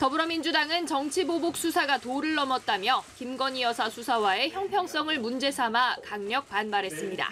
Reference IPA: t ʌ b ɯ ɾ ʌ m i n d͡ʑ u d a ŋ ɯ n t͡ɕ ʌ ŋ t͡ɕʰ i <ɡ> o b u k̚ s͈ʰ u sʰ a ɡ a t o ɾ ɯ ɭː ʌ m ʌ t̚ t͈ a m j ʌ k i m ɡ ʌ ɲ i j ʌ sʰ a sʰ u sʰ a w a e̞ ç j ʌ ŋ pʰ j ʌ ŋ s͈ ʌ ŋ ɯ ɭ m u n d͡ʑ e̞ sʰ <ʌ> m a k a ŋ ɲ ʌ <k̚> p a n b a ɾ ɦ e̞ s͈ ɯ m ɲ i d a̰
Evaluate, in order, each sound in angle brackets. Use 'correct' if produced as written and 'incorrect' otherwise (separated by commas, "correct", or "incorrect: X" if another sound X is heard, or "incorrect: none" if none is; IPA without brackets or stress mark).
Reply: incorrect: b, incorrect: a, correct